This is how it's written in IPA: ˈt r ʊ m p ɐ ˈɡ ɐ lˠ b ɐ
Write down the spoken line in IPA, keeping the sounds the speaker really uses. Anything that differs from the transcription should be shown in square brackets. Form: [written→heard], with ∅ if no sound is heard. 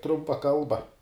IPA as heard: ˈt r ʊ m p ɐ [ˈɡ→ˈk] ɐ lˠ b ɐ